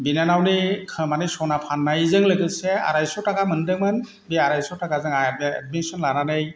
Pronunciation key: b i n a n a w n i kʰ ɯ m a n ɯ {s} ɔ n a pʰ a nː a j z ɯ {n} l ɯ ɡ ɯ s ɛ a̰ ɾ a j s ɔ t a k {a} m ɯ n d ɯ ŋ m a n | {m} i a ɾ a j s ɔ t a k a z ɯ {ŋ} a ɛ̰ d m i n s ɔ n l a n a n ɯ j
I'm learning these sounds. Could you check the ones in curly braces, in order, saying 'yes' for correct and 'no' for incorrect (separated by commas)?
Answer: yes, no, yes, no, yes